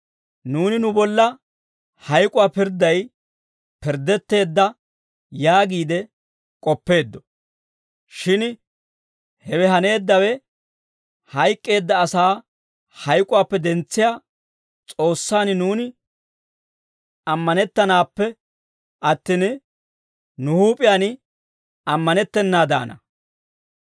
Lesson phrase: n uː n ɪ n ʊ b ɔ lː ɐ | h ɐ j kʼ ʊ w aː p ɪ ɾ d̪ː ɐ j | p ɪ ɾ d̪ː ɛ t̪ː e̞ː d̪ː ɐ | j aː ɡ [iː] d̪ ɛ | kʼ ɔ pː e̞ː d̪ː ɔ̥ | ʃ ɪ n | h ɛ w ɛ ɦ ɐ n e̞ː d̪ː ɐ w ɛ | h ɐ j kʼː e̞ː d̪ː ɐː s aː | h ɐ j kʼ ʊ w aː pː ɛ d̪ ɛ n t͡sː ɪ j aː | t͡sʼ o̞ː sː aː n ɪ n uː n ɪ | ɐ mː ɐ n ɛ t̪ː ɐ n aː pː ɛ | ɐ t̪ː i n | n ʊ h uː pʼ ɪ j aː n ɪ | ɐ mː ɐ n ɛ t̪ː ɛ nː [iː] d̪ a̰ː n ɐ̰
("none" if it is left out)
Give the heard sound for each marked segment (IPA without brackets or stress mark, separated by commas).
iː, aː